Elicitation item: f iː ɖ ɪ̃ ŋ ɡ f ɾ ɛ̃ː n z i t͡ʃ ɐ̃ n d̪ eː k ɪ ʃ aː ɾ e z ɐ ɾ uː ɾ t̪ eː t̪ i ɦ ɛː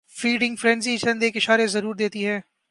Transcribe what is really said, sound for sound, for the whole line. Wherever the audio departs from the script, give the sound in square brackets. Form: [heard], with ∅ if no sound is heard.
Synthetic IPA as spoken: f iː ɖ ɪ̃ ŋ ɡ f ɾ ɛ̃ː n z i t͡ʃ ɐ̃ n d̪ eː k ɪ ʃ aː ɾ e z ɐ ɾ uː ɾ [d̪] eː t̪ i ɦ ɛː